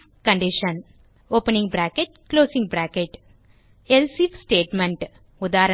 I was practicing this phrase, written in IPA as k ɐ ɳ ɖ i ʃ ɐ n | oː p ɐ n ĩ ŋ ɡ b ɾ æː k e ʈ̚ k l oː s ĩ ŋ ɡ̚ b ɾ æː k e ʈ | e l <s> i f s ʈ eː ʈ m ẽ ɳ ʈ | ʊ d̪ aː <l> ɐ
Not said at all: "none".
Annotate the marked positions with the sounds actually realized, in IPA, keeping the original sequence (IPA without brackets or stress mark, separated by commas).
s, ɾ